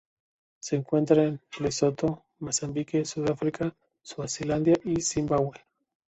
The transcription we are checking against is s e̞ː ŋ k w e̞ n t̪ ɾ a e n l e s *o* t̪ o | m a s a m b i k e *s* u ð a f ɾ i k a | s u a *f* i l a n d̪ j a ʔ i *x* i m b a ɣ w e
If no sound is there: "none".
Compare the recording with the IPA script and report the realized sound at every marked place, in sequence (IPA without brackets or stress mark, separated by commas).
o, s, s, s